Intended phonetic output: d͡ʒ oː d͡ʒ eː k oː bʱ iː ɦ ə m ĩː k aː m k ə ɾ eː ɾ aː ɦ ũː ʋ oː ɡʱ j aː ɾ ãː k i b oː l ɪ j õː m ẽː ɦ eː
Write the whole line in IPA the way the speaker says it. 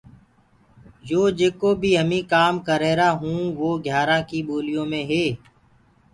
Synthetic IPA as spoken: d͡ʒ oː d͡ʒ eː k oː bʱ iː ɦ ə m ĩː k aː m k ə ɾ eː ɾ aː ɦ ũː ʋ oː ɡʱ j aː ɾ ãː k i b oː l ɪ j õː m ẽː ɦ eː